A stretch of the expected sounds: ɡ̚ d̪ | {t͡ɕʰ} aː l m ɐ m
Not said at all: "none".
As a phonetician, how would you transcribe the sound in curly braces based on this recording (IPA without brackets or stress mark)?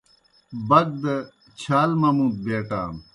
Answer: t͡ɕʰ